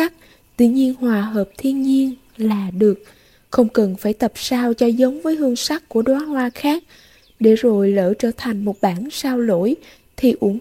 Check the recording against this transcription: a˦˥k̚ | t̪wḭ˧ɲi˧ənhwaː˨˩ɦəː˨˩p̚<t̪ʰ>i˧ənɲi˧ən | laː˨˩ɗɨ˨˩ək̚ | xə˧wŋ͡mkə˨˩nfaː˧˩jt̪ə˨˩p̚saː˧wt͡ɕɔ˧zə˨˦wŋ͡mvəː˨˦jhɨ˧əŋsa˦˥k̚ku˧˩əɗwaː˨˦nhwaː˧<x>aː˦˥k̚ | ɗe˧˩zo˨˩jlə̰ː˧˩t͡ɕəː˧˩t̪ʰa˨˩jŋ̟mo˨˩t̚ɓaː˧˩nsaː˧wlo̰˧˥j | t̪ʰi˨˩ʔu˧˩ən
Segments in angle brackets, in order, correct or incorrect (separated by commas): correct, correct